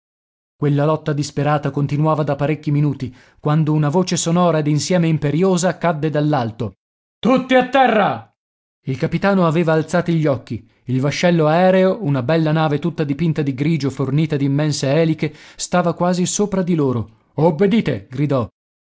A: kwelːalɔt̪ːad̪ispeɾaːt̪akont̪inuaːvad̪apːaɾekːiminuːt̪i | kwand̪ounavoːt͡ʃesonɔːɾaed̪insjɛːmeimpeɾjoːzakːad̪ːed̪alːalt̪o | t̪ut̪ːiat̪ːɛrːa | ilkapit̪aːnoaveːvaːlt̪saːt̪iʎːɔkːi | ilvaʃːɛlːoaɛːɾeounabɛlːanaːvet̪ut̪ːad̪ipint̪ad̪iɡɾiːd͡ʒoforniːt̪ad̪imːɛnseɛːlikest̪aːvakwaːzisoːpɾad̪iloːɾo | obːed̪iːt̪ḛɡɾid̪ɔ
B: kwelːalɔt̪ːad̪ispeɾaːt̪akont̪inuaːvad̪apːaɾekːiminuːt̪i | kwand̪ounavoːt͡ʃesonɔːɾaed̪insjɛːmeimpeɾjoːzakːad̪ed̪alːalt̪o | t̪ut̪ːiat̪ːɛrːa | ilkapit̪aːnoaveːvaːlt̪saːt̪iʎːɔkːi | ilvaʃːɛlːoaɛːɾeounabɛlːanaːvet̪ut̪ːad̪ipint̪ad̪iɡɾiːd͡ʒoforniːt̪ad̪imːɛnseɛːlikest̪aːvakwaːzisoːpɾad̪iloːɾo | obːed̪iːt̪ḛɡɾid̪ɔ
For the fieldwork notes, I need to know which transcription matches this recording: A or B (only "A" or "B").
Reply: A